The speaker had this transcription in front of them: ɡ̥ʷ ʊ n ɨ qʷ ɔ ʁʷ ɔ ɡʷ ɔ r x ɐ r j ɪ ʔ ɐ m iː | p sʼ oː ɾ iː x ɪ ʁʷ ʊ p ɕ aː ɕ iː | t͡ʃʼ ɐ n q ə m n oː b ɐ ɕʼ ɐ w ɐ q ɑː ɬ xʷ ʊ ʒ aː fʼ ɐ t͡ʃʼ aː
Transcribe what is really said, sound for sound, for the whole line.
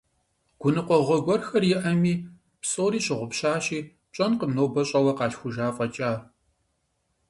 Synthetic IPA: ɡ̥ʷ ʊ n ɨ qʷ ɔ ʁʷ ɔ ɡʷ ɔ r x ɐ r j ɪ ʔ ɐ m iː | p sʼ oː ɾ iː ɕ ɪ ʁʷ ʊ p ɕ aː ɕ iː | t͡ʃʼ ɐ n q ə m n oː b ɐ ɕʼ ɐ w ɐ q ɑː ɬ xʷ ʊ ʒ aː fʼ ɐ t͡ʃʼ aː